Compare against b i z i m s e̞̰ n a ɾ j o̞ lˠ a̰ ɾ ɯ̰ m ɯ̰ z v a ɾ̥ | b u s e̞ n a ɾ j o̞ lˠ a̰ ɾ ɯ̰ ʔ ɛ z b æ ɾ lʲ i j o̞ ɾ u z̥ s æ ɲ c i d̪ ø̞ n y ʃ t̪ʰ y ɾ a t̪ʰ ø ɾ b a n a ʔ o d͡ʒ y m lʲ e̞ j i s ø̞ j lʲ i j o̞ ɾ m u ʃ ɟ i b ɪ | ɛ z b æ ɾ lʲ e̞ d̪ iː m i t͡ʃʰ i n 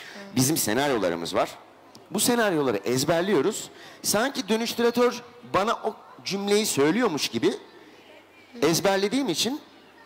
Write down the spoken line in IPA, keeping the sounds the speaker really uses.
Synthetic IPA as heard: b i z i m s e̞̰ n a ɾ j o̞ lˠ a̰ ɾ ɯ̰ m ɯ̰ z v a ɾ̥ | b u s e̞ n a ɾ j o̞ lˠ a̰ ɾ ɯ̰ ʔ ɛ z b æ ɾ lʲ i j o̞ ɾ u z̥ s a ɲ c i d̪ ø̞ n y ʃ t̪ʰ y ɾ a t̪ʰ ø ɾ b a n a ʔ o d͡ʒ y m lʲ e̞ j i s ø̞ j lʲ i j o̞ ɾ m u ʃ ɟ i b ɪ | ɛ z b æ ɾ lʲ e̞ d̪ iː m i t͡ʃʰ i n